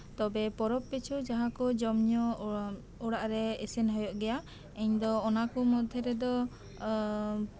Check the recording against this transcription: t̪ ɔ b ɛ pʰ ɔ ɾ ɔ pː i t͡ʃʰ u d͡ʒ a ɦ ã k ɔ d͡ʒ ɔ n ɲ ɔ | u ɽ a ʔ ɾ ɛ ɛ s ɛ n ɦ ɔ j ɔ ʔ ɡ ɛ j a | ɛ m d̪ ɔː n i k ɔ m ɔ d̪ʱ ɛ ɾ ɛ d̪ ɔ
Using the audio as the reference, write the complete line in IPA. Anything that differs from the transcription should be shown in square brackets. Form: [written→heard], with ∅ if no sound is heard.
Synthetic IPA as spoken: t̪ ɔ b ɛ [pʰ→p] ɔ ɾ ɔ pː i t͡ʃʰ u d͡ʒ a ɦ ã k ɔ d͡ʒ ɔ [n→m] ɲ ɔ | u ɽ a ʔ ɾ ɛ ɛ s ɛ n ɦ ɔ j ɔ ʔ ɡ ɛ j a | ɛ [m→ɲ] d̪ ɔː n [i→a] k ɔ m ɔ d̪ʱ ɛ ɾ ɛ d̪ ɔ